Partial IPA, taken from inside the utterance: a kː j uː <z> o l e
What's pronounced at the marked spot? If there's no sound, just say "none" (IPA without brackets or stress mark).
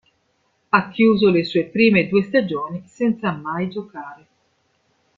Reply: z